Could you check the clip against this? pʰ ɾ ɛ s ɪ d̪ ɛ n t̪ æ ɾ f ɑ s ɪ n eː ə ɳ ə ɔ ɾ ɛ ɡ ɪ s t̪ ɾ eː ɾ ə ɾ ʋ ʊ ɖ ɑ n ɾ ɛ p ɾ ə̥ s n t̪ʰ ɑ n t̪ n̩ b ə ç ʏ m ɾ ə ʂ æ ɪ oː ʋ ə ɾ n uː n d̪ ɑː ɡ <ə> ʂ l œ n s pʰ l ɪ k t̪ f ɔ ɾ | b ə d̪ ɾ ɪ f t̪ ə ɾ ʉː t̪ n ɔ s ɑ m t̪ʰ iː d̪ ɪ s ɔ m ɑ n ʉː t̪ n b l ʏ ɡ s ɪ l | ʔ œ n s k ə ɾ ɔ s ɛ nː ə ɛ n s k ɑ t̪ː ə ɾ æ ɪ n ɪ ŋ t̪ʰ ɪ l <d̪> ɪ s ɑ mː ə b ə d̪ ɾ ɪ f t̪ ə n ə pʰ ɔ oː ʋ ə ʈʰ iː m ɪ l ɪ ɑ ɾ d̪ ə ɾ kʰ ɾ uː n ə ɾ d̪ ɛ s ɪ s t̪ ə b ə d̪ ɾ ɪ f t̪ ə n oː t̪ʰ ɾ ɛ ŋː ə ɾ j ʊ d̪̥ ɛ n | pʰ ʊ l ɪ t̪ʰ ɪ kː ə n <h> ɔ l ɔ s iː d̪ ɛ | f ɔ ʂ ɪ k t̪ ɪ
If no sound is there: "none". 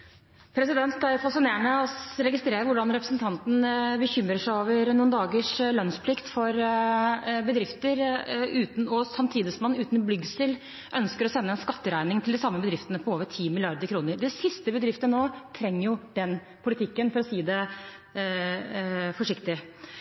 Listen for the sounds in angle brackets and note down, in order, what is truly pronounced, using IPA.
ə, d̪, f

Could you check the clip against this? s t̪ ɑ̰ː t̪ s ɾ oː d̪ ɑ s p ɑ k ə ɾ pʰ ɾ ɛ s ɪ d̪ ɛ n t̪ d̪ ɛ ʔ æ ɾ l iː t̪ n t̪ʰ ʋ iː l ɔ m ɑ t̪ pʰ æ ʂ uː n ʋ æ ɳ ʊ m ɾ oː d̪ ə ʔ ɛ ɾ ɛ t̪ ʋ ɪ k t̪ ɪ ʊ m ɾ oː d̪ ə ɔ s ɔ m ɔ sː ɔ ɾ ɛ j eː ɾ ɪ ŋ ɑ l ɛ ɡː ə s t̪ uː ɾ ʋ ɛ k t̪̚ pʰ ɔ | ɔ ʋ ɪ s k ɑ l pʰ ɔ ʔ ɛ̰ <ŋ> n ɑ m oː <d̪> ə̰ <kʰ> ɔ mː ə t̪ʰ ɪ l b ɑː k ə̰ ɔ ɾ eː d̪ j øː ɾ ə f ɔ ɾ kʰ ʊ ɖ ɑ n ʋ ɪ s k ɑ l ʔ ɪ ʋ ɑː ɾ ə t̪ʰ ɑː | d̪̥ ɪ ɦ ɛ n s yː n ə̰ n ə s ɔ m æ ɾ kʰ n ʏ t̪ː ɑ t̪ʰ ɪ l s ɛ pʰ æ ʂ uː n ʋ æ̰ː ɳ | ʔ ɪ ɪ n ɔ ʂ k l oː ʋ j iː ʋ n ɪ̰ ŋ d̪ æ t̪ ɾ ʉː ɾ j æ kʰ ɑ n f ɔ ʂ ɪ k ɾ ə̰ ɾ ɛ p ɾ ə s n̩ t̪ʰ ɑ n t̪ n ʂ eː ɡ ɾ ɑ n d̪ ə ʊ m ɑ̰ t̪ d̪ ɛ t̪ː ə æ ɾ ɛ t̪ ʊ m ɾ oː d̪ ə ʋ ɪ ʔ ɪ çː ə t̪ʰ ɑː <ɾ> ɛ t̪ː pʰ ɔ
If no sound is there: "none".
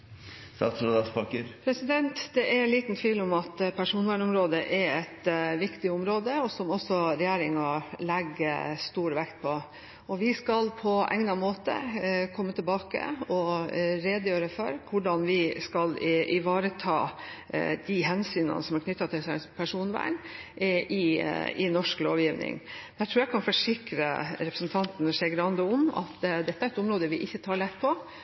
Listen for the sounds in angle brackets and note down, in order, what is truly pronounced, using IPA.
ŋ, t̪, kʰ, ɭ

